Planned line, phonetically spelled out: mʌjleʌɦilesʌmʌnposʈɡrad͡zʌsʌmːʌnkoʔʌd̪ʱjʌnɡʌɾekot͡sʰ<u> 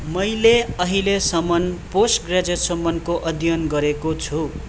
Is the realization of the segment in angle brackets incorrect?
no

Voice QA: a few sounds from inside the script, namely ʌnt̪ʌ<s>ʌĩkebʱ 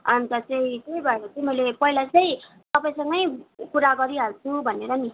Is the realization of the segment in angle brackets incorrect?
yes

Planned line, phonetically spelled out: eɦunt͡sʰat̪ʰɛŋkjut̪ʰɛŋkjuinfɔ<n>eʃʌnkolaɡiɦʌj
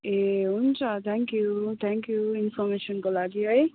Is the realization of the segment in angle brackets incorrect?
yes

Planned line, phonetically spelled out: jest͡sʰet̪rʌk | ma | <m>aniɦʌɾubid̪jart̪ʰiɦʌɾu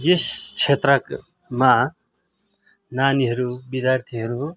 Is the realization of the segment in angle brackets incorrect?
yes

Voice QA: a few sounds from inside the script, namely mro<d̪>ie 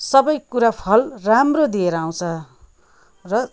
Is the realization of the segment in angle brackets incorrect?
no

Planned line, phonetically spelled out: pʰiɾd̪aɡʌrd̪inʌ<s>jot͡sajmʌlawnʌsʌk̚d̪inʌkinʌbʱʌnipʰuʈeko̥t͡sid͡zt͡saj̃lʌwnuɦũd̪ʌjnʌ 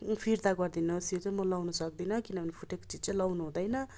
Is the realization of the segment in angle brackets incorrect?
no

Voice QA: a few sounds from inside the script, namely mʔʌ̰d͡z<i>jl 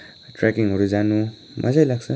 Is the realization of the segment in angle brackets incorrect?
yes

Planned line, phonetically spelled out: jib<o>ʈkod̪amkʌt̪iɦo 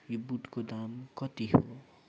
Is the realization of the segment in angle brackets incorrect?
yes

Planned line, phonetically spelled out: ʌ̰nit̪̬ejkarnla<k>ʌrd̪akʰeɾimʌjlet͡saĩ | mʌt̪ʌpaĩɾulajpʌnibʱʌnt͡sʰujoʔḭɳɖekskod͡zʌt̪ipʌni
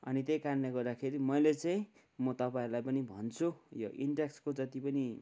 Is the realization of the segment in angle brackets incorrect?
yes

